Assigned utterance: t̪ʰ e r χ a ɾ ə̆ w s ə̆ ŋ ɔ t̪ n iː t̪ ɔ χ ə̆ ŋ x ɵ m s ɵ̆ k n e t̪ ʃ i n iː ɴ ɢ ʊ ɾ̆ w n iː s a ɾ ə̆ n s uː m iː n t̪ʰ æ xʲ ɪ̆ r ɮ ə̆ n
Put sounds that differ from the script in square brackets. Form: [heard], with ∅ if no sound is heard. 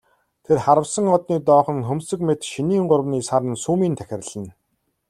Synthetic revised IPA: t̪ʰ e r χ a ɾ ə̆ w s ə̆ ŋ ɔ t̪ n iː t̪ [ɔː] χ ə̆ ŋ x ɵ m s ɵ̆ k [m] e t̪ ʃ i n iː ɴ ɢ ʊ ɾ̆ w n iː s a ɾ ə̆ n s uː m iː n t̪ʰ æ xʲ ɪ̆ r ɮ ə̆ n